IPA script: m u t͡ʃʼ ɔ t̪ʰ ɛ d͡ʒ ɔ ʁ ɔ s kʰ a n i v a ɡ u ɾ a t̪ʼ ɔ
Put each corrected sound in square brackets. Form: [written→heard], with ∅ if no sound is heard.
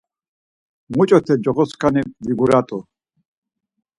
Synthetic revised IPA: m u t͡ʃʼ ɔ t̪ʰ ɛ d͡ʒ ɔ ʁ ɔ s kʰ a n i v [a→i] ɡ u ɾ a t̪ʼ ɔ

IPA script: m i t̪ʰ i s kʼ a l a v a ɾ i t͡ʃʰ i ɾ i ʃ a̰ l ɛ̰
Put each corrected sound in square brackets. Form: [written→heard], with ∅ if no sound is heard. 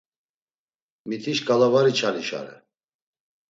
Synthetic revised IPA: m i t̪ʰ i [s→ʃ] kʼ a l a v a ɾ i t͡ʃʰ [i→a] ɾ i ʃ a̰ [l→ɾ] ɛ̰

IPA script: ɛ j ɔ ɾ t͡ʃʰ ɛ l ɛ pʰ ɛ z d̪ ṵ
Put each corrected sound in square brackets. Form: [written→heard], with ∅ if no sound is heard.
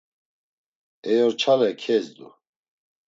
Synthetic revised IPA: ɛ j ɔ ɾ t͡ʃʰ [ɛ→a] l ɛ [pʰ→kʰ] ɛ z d̪ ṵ

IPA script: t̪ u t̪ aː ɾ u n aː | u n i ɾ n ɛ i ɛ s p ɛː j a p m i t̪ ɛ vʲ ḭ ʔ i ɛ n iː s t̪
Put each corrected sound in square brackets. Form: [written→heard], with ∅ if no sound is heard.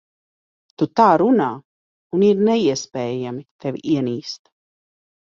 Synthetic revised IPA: t̪ u t̪ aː ɾ u n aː | u n i ɾ n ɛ i ɛ s p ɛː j a [p→∅] m i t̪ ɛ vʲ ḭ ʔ i ɛ n iː s t̪

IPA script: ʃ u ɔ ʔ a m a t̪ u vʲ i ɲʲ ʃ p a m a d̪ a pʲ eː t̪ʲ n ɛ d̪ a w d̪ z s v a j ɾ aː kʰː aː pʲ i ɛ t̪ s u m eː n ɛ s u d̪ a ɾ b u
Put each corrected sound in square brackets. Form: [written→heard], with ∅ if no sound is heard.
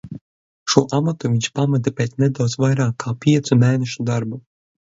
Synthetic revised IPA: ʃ u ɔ ʔ a m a t̪ u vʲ i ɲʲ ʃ p a m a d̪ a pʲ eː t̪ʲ n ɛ d̪ a w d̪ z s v a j ɾ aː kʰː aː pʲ i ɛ t̪ s u m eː n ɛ [s→ʃ] u d̪ a ɾ b u

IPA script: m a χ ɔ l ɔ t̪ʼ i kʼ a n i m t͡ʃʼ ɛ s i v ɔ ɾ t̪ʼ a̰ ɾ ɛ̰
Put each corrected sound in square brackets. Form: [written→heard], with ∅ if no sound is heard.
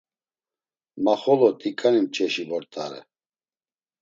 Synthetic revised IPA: m a χ ɔ l ɔ t̪ʼ i kʼ a n i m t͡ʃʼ ɛ [s→ʃ] i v ɔ ɾ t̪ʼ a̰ ɾ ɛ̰

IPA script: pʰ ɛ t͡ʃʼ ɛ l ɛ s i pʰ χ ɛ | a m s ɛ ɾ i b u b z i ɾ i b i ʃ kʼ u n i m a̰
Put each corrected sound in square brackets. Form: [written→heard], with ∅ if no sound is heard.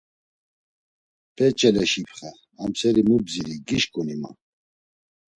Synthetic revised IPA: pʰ ɛ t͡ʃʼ ɛ l ɛ [s→ʃ] i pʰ χ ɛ | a m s ɛ ɾ i [b→m] u b z i ɾ i [b→ɡ] i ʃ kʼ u n i m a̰

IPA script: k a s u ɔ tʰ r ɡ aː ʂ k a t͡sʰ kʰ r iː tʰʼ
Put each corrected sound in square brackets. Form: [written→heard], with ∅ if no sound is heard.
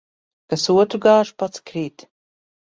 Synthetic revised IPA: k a s u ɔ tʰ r ɡ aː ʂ [k→p] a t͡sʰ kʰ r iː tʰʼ

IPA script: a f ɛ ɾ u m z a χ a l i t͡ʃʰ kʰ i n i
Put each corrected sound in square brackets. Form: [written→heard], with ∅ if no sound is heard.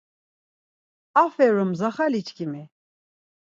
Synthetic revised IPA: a f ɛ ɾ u m z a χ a l i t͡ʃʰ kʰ i [n→m] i

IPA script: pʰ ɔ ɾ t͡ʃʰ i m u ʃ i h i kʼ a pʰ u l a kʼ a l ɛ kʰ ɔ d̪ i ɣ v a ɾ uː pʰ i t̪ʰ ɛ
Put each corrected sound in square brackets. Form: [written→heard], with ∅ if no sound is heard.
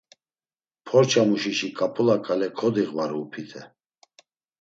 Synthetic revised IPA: pʰ ɔ ɾ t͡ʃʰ [i→a] m u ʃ i [h→ʃ] i kʼ a pʰ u l a kʼ a l ɛ kʰ ɔ d̪ i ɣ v a ɾ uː pʰ i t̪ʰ ɛ

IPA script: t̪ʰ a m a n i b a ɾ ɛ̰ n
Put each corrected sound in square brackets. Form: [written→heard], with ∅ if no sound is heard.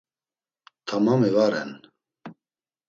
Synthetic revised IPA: t̪ʰ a m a [n→m] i [b→v] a ɾ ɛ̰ n

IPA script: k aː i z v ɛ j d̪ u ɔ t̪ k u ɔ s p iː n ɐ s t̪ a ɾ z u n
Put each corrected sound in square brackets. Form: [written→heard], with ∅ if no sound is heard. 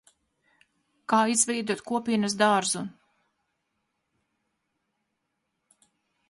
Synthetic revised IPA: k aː i z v ɛ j d̪ u ɔ t̪ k u ɔ [s→∅] p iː n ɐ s [t̪→d̪] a ɾ z u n

